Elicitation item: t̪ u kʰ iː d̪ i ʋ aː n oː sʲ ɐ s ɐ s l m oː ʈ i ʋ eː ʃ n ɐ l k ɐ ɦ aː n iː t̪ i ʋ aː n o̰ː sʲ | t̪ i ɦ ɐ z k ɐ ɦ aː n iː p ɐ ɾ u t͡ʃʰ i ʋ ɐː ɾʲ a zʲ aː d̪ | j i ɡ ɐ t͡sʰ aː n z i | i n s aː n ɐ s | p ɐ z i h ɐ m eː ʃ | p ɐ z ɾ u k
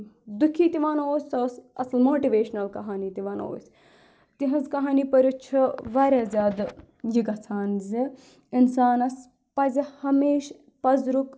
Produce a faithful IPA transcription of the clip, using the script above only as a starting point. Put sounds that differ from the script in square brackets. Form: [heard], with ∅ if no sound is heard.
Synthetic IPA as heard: [d̪] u kʰ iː [t̪] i ʋ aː n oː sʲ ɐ s ɐ s l m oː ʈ i ʋ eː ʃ n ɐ l k ɐ ɦ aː n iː t̪ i ʋ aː n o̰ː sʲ | t̪ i ɦ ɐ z k ɐ ɦ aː n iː p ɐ ɾ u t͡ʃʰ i ʋ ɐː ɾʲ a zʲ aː d̪ | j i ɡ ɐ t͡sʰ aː n z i | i n s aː n ɐ s | p ɐ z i h ɐ m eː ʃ | p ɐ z ɾ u k